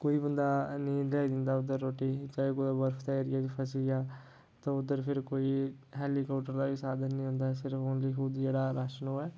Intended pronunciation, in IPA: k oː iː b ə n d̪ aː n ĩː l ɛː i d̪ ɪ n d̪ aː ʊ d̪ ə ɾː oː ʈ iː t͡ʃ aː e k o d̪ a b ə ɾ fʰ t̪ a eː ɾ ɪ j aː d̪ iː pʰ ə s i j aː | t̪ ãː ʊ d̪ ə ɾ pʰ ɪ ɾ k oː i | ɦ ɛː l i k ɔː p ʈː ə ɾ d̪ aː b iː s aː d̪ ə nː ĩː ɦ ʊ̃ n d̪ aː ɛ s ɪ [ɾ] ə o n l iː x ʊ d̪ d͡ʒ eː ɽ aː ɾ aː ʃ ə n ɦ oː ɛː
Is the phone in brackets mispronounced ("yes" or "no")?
no